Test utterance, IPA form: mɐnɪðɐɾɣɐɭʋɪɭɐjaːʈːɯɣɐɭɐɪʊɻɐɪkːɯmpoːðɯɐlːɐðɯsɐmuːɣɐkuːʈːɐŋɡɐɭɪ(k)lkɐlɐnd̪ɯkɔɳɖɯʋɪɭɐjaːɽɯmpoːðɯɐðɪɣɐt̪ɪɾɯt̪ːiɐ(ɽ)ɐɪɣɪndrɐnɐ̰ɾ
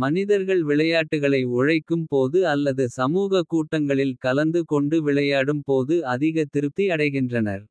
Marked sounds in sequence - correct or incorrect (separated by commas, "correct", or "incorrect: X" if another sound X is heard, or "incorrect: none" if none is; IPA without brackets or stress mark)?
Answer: incorrect: none, correct